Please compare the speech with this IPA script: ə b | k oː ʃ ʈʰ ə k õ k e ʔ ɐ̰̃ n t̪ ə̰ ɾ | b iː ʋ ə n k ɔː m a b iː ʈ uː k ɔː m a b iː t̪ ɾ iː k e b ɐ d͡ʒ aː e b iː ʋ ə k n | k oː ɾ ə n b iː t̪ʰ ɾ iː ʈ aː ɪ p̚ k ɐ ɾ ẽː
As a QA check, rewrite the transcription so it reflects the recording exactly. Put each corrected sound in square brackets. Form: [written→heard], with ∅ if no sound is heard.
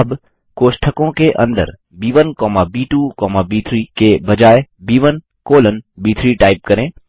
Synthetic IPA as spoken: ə b | k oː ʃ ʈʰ ə k õ k e ʔ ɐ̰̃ n [t̪→d̪] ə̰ ɾ | b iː ʋ ə n k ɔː m a b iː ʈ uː k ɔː m a b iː [t̪→t̪ʰ] ɾ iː k e b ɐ d͡ʒ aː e b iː ʋ ə [k→∅] n | k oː [ɾ→l] ə n b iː t̪ʰ ɾ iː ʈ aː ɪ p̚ k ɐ ɾ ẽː

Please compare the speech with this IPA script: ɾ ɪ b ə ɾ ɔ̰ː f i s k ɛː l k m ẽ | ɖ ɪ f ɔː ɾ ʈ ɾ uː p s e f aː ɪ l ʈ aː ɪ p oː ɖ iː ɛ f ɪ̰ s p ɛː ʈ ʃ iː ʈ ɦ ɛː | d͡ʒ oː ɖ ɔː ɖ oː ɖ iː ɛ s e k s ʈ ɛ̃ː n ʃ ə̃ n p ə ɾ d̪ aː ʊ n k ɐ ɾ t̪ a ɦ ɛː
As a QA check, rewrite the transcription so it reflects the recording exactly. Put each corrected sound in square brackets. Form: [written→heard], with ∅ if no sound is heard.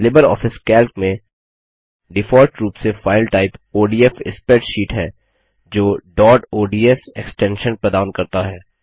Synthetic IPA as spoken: [ɾ→l] ɪ b ə ɾ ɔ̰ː f [i→ɪ] s k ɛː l k m ẽ | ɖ ɪ f ɔː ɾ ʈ ɾ uː p s e f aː ɪ l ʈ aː ɪ p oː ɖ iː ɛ f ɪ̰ s p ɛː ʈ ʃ iː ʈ ɦ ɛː | d͡ʒ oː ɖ ɔː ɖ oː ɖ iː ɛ s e k s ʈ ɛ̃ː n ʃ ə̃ n p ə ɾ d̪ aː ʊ n k ɐ ɾ t̪ a ɦ ɛː

